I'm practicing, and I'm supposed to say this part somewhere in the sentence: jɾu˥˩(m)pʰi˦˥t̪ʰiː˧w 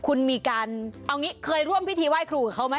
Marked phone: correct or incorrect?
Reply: correct